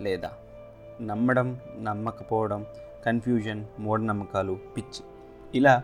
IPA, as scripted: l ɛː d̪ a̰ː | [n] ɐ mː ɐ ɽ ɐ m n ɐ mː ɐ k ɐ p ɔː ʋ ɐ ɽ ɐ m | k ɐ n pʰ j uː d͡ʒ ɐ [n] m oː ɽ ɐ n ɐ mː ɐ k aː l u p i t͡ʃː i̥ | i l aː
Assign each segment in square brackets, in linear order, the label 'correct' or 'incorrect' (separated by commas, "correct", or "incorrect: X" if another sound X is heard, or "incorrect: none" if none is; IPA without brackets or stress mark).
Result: correct, correct